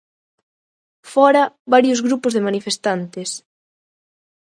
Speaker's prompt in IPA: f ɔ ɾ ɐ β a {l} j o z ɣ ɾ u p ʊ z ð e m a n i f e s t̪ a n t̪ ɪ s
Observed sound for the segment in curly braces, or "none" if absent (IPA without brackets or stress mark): ɾ